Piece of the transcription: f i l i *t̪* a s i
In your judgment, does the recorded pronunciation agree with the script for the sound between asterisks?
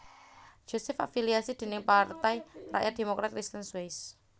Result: no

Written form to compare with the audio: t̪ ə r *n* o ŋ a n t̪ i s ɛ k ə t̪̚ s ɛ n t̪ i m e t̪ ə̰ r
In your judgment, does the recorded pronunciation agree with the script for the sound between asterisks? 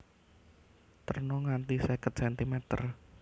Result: yes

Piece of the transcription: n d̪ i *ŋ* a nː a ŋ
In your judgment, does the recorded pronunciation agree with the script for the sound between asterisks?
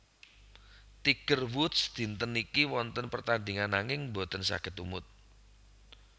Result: yes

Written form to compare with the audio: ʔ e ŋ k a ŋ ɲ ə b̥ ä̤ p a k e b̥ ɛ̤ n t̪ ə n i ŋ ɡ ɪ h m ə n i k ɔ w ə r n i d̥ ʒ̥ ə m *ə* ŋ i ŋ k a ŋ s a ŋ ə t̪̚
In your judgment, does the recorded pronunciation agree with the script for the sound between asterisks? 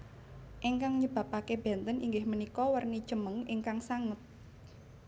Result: yes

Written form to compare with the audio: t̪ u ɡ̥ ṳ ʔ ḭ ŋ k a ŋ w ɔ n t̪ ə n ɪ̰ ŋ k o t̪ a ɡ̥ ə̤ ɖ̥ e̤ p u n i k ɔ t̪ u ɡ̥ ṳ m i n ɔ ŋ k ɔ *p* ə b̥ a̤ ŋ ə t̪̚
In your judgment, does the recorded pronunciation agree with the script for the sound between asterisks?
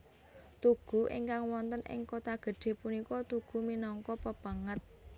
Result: yes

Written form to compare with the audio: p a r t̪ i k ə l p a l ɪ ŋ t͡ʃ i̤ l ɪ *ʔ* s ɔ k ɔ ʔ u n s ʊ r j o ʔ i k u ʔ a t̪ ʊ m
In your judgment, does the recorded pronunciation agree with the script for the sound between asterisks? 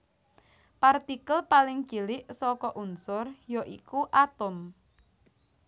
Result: yes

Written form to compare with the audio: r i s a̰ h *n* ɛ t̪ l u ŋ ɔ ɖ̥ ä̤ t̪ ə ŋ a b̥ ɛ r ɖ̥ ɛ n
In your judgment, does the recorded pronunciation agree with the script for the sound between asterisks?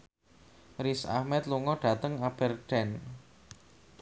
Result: no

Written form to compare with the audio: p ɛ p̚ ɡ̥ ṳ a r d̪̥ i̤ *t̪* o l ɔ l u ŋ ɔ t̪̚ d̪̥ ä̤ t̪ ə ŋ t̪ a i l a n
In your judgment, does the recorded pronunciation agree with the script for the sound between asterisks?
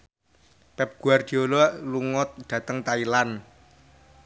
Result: no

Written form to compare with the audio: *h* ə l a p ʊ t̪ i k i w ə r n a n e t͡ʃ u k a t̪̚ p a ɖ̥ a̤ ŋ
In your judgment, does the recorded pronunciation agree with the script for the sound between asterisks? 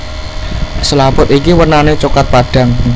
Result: no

